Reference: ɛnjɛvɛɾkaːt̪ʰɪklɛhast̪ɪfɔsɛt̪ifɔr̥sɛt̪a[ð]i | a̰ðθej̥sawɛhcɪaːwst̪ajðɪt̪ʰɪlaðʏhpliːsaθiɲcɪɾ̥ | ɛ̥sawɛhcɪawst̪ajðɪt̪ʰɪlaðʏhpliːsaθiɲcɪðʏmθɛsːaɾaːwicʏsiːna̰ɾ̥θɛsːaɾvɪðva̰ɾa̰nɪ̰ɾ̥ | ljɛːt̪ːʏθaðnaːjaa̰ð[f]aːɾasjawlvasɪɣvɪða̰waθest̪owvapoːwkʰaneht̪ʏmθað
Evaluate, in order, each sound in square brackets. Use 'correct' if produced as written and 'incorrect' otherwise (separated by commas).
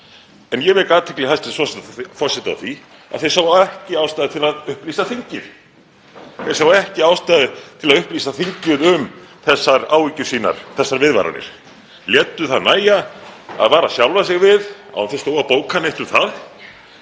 incorrect, incorrect